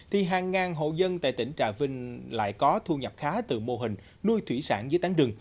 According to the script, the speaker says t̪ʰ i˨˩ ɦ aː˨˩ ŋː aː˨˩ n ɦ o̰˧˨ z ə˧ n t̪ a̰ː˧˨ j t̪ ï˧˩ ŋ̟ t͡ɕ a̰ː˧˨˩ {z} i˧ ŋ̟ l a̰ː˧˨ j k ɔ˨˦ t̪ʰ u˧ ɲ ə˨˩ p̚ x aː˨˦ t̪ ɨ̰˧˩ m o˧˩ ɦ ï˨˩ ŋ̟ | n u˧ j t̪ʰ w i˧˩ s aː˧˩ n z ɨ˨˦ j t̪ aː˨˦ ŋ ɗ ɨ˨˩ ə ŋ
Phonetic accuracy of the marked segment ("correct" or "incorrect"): incorrect